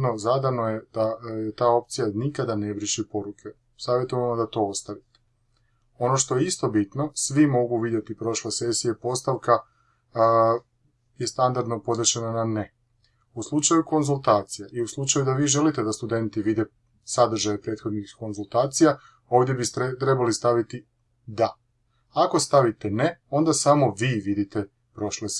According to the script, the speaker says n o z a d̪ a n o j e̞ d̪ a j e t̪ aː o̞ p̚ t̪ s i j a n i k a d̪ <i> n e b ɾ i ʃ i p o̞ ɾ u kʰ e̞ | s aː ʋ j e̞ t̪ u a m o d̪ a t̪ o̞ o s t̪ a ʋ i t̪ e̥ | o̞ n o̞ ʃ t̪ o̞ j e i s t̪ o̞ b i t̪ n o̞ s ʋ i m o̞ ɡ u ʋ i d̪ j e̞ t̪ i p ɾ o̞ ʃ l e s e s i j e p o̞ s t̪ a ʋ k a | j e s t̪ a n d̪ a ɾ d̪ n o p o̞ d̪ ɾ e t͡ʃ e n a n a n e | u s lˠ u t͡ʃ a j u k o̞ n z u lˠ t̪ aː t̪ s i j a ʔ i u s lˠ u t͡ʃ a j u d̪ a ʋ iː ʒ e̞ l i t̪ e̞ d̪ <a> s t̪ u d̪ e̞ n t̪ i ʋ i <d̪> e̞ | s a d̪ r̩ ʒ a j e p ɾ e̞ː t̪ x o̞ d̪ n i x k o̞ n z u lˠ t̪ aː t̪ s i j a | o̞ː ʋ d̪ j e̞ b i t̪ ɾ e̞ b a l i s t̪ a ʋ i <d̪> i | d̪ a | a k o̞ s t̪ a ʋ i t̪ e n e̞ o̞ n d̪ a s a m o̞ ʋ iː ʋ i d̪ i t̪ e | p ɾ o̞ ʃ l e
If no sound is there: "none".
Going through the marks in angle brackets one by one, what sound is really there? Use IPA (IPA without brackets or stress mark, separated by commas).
a, a, d̪, t̪